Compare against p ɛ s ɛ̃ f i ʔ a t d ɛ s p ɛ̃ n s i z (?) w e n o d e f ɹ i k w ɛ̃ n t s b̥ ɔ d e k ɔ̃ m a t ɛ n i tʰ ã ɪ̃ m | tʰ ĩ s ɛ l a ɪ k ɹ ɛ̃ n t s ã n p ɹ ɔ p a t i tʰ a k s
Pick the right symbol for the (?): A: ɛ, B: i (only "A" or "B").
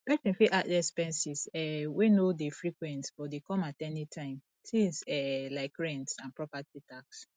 A